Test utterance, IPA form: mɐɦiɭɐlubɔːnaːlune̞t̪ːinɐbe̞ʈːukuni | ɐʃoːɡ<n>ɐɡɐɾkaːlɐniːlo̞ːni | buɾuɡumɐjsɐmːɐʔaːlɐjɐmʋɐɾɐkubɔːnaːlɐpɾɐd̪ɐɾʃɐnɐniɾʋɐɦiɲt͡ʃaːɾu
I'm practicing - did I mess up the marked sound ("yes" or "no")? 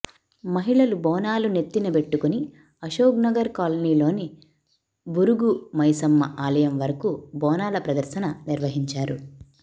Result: no